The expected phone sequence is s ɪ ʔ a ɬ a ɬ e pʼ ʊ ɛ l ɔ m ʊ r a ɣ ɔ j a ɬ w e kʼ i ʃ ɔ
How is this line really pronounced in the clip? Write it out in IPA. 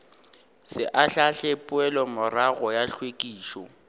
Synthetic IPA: s ɪ ʔ a ɬ a ɬ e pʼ ʊ ɛ l ɔ m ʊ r a ɣ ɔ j a ɬ w e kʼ iː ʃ ɔ